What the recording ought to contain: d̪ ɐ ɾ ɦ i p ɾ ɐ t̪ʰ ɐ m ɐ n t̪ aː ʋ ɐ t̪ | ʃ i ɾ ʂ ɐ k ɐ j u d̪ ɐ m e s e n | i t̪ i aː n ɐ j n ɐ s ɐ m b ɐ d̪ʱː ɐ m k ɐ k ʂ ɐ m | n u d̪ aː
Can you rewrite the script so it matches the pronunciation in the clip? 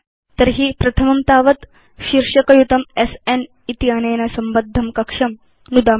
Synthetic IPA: t̪ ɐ ɾ ɦ i p ɾ ɐ t̪ʰ ɐ m ɐ m t̪ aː ʋ ɐ t̪ | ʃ i ɾ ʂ ɐ k ɐ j u t̪ ɐ m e s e n | i t̪ i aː n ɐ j n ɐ s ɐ m b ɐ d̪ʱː ɐ m k ɐ k ʂ ɐ m | n u d̪ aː